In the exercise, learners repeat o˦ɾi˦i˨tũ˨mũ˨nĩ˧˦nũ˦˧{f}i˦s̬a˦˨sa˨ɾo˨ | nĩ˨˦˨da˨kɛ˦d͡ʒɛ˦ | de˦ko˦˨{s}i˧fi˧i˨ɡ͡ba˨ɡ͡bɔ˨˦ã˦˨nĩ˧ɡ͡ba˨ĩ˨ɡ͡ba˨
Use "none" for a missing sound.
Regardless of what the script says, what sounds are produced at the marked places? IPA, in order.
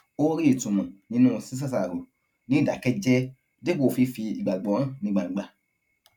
s, f

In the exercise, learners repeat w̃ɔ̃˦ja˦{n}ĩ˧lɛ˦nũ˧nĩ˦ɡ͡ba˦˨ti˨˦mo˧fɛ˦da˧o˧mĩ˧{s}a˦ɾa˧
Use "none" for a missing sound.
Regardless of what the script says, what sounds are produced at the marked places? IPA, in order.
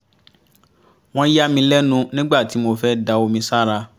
m, s

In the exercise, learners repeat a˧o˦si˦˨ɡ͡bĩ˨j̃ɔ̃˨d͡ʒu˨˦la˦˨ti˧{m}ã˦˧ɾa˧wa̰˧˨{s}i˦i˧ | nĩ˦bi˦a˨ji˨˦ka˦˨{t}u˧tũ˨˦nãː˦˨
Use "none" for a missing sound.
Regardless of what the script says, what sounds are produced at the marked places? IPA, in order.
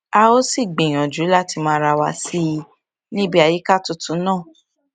m, s, t

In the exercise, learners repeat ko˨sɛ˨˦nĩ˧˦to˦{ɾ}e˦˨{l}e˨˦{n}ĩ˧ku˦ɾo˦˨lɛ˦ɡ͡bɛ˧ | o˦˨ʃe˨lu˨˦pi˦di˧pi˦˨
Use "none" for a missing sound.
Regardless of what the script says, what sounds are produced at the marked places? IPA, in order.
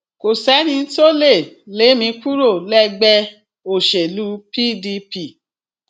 l, l, m

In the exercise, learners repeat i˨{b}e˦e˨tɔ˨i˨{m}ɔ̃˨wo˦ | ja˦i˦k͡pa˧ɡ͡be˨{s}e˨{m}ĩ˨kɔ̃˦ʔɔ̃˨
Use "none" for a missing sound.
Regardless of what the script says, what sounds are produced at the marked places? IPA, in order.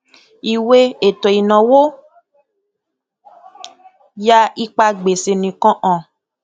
w, n, s, n

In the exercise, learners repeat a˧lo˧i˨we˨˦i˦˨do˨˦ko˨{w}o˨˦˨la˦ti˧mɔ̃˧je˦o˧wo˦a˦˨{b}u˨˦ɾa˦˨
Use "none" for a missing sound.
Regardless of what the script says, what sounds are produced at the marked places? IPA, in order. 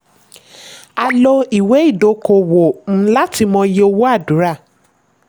w, d

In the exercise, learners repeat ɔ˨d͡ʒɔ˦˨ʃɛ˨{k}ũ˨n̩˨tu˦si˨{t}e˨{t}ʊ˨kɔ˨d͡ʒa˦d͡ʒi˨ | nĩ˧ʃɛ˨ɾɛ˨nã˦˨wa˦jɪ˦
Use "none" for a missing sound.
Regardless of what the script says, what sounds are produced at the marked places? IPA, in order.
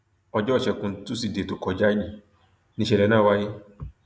k, d, t

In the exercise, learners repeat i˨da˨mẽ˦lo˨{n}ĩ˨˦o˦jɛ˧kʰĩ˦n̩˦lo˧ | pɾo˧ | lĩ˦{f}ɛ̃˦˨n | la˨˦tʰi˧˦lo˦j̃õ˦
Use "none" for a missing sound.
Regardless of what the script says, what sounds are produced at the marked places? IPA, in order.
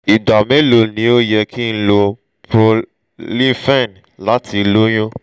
n, f

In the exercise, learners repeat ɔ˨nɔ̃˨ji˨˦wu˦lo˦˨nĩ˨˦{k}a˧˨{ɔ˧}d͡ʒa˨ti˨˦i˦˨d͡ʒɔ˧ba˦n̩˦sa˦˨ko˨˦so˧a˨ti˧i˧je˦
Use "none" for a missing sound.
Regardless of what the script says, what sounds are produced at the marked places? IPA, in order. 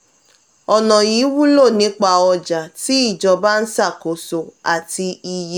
k͡p, ɔ˧

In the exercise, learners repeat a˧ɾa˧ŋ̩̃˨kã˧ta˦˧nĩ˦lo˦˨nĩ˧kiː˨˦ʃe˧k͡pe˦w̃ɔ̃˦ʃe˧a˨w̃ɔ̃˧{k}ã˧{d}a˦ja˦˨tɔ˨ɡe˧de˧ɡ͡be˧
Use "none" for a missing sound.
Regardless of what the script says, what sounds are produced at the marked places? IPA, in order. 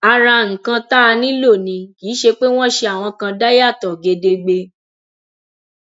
k, d

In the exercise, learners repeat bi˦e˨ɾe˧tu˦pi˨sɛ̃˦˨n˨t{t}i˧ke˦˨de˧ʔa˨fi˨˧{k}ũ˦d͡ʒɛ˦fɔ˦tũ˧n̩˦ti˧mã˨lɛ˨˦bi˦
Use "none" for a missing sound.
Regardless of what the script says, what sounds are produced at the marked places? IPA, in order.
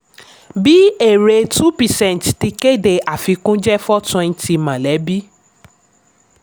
t, k

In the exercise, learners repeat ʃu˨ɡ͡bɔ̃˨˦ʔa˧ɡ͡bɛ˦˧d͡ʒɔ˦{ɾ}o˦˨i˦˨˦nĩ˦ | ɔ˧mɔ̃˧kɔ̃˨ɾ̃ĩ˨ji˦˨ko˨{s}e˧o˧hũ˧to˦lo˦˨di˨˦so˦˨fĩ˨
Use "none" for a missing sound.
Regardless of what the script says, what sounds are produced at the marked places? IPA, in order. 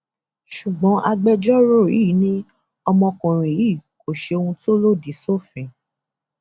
ɾ, ʃ

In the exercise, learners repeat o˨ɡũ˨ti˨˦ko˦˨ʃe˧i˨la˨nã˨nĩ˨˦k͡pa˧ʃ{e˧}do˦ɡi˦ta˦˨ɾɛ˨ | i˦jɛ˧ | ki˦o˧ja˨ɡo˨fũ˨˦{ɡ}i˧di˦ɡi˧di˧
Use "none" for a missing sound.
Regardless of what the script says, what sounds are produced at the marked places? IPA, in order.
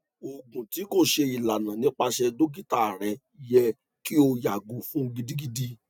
ɛ˧, ɡ

